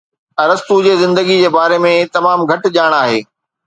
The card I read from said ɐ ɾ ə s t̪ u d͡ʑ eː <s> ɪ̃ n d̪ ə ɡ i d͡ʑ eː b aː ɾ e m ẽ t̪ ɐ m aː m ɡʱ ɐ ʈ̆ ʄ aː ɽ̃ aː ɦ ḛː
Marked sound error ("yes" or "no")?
yes